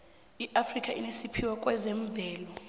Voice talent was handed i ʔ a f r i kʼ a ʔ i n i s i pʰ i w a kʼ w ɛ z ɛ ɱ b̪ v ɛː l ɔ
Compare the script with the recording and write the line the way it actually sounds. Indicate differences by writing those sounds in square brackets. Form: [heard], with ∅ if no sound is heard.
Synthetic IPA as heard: i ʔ a f r i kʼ a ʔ i n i s i pʰ i w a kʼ w ɛ z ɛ ɱ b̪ v ɛː l ɔ